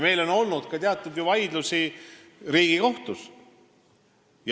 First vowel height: mid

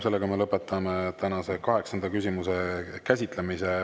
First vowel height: mid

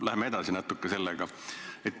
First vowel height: low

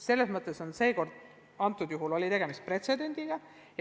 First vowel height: mid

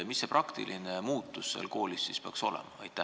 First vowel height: high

